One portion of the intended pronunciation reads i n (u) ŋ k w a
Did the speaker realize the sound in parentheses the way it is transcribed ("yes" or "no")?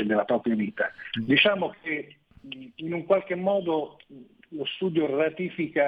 yes